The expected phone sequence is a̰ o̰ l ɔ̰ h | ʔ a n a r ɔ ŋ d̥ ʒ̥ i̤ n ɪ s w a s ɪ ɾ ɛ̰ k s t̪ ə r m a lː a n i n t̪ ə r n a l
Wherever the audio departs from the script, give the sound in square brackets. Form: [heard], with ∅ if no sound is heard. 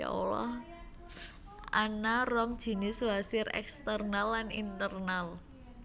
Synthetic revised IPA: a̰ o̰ l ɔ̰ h | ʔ a n a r ɔ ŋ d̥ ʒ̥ i̤ n ɪ s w a s ɪ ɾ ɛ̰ k s t̪ ə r [n] a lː a n i n t̪ ə r n a l